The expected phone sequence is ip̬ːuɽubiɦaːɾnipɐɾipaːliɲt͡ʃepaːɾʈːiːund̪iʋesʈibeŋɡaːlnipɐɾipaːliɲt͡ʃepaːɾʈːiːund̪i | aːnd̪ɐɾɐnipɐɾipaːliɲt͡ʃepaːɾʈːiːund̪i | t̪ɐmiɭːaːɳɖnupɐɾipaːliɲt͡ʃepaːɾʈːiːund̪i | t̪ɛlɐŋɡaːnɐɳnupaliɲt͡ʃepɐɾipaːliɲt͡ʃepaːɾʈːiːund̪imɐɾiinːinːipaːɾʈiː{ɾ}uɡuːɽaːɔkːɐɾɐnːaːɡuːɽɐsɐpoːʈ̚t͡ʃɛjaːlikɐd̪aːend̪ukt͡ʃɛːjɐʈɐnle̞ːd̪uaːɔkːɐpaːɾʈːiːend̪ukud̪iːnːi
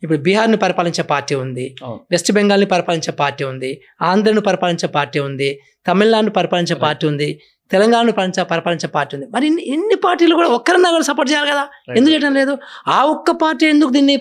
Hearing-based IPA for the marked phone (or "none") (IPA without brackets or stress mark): l